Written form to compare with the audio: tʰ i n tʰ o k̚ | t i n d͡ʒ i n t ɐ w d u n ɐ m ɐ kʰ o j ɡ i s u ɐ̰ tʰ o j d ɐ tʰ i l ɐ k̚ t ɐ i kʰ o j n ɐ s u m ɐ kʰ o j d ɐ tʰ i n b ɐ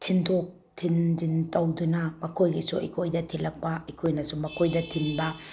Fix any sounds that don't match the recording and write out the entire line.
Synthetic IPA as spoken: tʰ i n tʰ o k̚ | tʰ i n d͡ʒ i n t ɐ w d u n ɐ m ɐ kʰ o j ɡ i s u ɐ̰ kʰ o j d ɐ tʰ i l ɐ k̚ p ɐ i kʰ o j n ɐ s u m ɐ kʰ o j d ɐ tʰ i n b ɐ